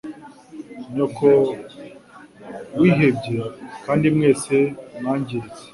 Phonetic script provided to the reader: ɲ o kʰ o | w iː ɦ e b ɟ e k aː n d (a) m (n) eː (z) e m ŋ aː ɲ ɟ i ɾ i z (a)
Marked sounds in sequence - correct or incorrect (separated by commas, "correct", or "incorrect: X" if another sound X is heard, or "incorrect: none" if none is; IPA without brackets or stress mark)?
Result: incorrect: i, incorrect: ŋ, incorrect: s, incorrect: e